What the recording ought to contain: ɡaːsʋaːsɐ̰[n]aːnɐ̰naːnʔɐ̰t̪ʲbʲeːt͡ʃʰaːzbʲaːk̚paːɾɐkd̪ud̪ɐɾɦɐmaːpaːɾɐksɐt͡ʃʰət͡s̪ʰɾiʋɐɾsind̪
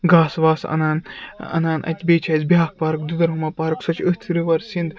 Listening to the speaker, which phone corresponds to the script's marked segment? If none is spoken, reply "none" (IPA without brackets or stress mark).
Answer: n